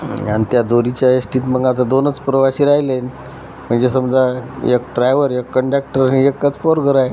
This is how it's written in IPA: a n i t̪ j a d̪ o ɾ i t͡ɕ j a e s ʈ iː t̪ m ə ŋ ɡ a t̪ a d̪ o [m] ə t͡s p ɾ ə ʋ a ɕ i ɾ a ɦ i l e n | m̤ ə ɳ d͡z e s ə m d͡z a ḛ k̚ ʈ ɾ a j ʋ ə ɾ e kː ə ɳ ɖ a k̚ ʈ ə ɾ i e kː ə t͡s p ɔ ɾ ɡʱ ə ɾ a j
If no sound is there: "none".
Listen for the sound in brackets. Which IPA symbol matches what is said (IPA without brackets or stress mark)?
n